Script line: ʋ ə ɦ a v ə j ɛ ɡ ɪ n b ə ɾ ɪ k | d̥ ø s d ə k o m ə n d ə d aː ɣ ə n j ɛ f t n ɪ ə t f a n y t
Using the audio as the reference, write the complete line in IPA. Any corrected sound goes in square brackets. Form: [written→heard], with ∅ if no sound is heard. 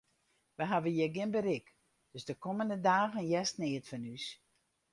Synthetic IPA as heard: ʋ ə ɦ a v ə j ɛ ɡ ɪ n b ə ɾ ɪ k | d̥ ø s d ə k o m ə n d ə d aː ɣ ə n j ɛ [f→s] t n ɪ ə t f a n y [t→s]